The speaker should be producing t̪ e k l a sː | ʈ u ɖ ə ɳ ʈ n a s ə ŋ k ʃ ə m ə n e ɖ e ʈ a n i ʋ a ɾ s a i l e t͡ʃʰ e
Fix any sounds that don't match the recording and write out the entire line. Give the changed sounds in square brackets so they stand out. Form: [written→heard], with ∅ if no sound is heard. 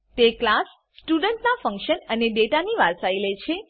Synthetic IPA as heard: t̪ e k l a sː | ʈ u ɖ ə ɳ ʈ n a [s→f] ə ŋ k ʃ ə [m→n] ə n e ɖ e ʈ a n i ʋ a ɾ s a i l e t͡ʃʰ e